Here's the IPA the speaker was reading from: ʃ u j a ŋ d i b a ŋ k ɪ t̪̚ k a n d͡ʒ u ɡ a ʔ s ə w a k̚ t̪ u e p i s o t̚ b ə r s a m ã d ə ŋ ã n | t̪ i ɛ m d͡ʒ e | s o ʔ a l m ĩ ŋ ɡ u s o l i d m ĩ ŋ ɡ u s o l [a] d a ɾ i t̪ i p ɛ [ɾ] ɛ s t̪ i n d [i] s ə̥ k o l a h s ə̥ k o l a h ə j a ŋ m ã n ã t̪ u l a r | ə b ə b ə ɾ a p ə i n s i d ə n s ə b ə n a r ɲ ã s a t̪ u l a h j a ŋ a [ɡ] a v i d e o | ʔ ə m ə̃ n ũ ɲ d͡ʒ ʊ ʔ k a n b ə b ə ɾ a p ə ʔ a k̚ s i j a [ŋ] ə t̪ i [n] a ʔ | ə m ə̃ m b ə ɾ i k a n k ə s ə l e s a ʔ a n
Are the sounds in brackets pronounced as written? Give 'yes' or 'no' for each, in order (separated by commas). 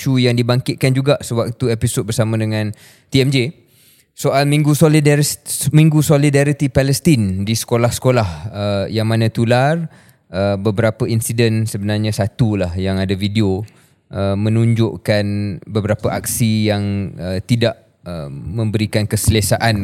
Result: no, no, yes, no, yes, no